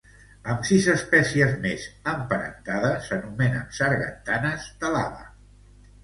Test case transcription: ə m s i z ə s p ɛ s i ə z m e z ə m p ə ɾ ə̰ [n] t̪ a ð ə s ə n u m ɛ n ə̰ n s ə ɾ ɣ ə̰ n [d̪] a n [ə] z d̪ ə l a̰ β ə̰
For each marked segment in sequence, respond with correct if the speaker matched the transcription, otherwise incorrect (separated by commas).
correct, incorrect, correct